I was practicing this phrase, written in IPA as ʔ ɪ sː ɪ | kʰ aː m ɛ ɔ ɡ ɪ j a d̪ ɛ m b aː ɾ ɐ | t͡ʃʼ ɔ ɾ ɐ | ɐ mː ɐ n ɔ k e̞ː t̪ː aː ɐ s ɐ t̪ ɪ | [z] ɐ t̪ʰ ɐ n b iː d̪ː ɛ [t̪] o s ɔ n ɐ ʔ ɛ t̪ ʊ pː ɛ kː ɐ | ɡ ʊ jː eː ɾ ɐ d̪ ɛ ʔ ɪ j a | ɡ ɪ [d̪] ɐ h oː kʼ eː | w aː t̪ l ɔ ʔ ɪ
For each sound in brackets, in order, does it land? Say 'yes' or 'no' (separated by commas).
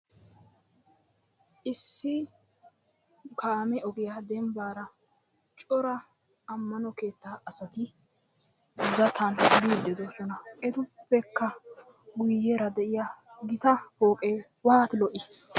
yes, no, no